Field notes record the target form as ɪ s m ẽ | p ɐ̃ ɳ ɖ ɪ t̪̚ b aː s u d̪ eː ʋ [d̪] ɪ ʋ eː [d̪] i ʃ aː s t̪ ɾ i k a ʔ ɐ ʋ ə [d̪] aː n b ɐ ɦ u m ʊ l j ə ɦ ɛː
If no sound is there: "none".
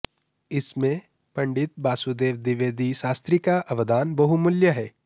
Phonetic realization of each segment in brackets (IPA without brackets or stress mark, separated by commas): d̪, d̪, d̪